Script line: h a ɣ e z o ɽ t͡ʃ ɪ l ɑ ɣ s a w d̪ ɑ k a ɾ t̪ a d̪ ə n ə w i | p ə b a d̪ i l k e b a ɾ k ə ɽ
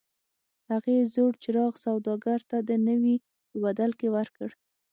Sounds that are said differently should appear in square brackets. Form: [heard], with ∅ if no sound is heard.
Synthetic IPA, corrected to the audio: h a ɣ e z o ɽ t͡ʃ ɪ [ɾ] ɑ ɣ s a w d̪ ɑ [ɡ] a ɾ t̪ a d̪ ə n ə w i | p ə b a d̪ [a] l k e [w] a ɾ k ə ɽ